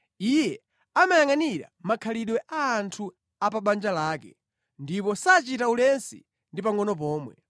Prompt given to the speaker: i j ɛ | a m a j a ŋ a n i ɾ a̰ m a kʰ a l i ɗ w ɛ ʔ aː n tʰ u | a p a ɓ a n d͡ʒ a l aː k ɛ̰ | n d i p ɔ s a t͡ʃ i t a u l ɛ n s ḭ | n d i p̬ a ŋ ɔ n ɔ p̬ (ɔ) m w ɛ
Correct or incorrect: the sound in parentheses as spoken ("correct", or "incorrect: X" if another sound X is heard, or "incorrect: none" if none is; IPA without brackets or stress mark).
incorrect: ɔː